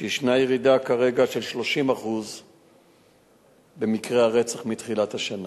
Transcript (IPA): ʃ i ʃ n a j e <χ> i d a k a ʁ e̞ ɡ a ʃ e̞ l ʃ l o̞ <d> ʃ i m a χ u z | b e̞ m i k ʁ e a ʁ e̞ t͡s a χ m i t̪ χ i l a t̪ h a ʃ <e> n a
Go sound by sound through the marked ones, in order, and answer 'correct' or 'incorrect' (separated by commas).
incorrect, incorrect, incorrect